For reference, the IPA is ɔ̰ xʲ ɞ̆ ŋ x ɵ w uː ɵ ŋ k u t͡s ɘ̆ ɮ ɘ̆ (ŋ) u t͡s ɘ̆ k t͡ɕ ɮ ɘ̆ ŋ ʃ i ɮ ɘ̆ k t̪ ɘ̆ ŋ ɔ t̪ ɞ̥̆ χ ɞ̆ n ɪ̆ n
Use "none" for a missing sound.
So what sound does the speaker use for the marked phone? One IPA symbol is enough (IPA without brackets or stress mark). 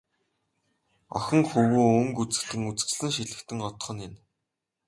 ŋ